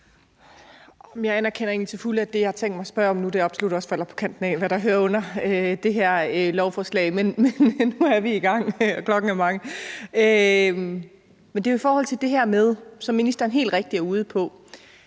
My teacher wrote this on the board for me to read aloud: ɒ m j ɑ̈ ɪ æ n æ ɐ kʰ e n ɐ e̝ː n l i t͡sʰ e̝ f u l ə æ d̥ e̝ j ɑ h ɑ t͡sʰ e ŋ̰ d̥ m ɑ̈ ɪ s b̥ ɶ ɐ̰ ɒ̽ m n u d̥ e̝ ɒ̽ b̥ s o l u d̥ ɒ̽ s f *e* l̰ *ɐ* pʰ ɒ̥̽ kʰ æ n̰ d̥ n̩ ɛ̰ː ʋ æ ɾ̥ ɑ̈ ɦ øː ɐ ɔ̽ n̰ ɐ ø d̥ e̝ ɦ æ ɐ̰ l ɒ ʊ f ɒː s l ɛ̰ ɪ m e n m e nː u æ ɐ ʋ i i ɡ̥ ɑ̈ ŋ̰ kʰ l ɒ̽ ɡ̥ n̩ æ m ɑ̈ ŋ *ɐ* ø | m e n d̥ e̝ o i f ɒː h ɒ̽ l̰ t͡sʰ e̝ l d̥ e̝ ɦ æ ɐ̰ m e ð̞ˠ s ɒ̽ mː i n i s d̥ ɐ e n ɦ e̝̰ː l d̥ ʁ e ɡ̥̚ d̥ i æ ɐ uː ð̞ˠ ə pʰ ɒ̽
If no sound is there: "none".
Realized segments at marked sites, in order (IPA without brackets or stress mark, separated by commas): æ, ɐ, ə